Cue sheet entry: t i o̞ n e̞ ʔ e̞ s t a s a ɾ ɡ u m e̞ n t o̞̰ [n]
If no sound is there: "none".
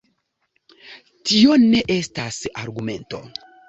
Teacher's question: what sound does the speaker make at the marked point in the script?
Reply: none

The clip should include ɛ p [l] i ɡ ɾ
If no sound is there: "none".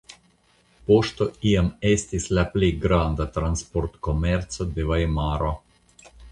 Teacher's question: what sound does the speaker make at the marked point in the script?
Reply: l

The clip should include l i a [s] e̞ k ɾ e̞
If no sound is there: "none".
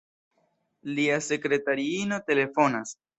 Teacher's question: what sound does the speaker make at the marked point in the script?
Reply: s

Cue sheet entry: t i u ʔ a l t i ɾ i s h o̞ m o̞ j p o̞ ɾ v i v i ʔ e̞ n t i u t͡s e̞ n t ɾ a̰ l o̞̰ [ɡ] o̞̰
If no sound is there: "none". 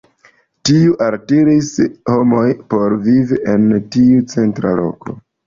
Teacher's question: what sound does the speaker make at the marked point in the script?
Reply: k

